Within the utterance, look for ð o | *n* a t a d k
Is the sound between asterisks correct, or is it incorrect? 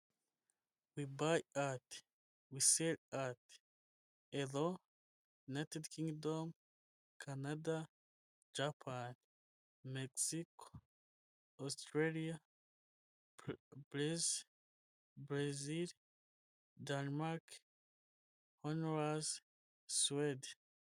correct